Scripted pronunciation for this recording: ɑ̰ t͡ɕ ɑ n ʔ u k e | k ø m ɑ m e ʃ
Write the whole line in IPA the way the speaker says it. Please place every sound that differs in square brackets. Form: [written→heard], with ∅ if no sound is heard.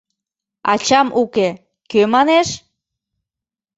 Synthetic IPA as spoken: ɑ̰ t͡ɕ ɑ [n→m] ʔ u k e | k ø m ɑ [m→n] e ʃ